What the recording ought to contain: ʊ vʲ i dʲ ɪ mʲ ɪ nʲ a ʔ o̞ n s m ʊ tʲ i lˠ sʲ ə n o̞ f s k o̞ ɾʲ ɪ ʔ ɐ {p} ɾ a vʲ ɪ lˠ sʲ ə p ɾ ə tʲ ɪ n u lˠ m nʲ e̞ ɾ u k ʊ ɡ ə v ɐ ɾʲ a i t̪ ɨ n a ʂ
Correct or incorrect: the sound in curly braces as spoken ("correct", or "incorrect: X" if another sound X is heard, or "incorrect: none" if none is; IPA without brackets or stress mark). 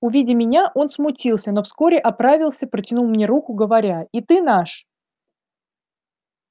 correct